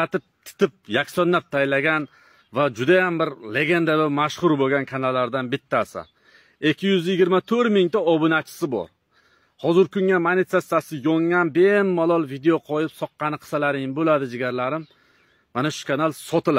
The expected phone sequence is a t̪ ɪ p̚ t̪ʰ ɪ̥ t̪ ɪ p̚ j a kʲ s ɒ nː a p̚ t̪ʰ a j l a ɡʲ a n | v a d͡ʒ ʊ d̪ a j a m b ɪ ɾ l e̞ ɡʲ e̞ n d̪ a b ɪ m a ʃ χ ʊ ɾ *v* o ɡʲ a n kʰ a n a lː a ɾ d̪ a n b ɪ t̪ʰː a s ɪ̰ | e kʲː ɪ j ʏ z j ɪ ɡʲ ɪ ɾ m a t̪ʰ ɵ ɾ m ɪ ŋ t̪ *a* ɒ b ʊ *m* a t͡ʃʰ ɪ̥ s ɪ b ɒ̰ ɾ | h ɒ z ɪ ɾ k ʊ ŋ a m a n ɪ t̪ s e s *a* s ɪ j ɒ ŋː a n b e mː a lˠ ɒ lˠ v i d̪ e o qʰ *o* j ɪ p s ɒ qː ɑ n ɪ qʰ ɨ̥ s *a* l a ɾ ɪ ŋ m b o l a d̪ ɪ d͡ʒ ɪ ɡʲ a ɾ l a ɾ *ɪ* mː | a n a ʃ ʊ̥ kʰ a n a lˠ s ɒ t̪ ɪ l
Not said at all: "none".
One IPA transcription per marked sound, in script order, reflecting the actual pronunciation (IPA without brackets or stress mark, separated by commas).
b, a, n, a, ɒ, a, ɪ